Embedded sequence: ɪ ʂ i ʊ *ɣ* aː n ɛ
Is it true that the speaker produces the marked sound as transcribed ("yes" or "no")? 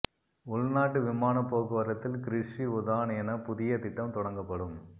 no